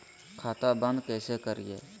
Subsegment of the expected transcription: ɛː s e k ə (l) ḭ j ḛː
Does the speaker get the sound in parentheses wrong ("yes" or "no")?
yes